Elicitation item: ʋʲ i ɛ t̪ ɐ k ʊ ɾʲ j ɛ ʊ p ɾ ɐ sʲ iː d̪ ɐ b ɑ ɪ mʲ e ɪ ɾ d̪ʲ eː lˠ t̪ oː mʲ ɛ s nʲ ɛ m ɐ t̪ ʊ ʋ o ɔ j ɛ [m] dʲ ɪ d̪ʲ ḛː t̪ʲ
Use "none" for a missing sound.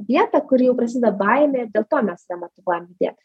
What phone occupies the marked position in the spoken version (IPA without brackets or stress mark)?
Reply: m